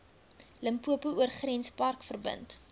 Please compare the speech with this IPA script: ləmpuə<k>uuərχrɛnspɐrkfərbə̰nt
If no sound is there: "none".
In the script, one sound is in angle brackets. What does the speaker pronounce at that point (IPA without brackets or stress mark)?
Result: p